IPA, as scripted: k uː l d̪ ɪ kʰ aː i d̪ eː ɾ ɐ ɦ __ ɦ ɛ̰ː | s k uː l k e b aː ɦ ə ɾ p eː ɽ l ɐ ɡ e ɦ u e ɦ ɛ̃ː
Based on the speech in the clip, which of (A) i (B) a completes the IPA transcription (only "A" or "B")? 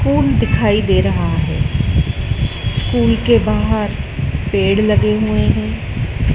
B